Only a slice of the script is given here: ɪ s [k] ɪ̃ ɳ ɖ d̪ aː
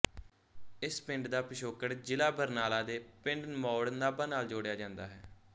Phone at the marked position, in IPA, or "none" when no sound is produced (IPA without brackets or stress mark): p